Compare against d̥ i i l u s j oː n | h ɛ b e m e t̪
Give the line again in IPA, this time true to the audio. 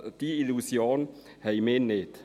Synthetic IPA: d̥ i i l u s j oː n | h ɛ m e n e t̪